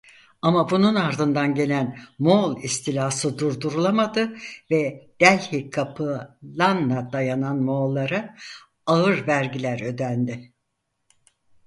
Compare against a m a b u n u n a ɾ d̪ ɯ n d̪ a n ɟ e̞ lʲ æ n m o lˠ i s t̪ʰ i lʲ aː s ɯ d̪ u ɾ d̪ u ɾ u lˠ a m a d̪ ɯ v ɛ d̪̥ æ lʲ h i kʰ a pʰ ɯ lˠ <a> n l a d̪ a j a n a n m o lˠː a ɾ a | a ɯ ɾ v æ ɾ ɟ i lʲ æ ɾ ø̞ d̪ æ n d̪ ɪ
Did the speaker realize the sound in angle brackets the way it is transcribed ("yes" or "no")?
yes